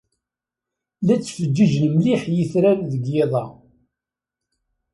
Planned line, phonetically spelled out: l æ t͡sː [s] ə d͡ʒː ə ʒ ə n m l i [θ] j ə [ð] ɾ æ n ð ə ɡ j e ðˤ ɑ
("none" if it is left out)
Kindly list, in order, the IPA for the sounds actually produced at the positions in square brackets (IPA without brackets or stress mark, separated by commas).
f, ħ, θ